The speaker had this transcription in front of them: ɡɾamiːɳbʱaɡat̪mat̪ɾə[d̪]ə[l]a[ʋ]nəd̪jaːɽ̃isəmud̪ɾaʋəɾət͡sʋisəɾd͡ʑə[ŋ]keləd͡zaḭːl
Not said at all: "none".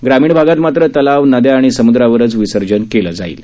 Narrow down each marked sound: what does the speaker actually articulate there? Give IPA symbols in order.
t̪, l, ʋ, n

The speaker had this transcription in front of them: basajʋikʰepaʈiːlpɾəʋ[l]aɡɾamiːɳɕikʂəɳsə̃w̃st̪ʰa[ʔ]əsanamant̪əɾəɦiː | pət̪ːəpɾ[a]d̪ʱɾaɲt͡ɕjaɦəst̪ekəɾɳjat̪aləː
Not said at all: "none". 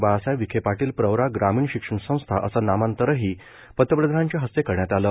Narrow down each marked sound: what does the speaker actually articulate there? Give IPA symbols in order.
ɾ, ʔ, ə

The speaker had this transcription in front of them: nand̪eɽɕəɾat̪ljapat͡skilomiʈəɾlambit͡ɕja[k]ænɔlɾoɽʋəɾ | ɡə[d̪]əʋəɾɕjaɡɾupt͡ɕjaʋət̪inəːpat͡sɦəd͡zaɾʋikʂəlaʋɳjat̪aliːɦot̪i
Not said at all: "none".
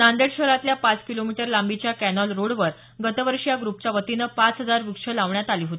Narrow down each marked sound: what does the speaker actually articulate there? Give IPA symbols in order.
k, t̪

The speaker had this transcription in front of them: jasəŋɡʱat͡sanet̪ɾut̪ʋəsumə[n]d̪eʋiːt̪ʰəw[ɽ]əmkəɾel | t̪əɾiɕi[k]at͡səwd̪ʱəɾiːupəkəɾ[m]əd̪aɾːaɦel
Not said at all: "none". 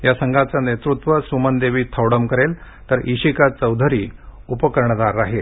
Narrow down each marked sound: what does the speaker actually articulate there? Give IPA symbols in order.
n, ɽ, k, ɳ

